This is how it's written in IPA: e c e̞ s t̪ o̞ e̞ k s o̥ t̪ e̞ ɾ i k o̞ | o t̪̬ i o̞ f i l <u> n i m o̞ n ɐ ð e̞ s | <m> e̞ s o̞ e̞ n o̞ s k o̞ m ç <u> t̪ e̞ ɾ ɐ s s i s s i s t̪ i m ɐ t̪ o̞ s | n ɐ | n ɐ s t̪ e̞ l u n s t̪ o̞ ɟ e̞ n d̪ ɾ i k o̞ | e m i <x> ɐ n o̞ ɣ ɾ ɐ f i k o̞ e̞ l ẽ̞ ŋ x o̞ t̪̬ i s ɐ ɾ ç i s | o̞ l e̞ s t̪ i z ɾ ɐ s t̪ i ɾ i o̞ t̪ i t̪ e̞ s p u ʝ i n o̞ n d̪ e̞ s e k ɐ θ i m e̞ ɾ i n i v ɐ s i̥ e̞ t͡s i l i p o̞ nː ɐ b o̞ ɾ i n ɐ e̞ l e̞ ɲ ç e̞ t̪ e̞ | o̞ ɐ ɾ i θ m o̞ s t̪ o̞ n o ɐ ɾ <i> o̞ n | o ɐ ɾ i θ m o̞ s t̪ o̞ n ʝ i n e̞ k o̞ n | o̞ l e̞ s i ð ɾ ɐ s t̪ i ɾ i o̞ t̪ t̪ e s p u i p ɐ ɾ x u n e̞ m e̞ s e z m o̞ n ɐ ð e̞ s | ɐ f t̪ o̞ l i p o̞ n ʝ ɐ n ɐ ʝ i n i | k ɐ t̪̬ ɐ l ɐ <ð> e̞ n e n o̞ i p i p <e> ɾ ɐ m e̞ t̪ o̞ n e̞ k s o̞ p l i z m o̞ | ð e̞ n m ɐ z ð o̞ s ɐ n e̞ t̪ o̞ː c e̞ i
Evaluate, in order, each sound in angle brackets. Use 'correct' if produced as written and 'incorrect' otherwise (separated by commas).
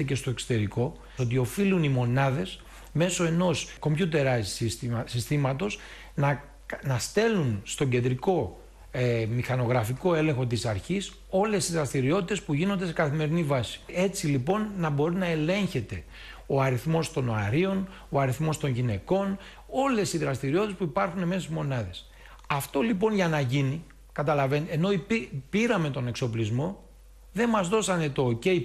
correct, correct, correct, correct, correct, incorrect, incorrect